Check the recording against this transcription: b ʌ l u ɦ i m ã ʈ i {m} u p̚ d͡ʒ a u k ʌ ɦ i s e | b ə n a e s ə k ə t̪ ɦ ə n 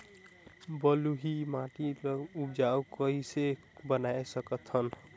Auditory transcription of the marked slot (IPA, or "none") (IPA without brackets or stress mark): none